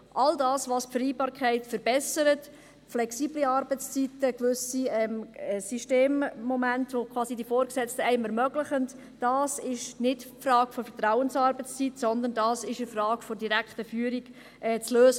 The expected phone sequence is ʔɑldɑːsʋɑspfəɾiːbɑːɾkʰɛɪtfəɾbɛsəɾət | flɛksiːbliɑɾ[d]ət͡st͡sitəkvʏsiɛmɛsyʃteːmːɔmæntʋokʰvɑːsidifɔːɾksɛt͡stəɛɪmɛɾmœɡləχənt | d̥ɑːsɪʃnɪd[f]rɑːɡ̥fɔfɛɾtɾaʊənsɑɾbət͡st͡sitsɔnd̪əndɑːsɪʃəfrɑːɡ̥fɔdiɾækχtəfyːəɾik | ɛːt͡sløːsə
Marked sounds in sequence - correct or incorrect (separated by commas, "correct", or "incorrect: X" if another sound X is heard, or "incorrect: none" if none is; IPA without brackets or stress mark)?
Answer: incorrect: b, correct